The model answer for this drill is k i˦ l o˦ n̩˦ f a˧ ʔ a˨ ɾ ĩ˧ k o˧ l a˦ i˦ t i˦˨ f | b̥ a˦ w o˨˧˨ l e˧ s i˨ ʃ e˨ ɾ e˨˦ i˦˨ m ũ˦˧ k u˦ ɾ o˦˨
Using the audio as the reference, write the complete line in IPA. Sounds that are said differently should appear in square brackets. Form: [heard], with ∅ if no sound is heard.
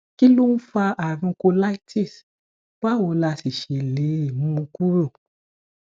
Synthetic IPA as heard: k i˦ l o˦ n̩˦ f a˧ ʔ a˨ ɾ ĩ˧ k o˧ l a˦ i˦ t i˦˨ [s] | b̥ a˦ w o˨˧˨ l [a˧] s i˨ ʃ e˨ [l] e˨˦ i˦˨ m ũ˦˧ k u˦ ɾ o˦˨